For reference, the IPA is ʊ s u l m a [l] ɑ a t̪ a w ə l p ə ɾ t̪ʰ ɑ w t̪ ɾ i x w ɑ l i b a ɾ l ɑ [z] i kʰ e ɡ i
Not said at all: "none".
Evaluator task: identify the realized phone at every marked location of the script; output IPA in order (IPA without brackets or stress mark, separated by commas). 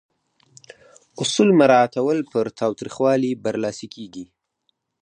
ɾ, s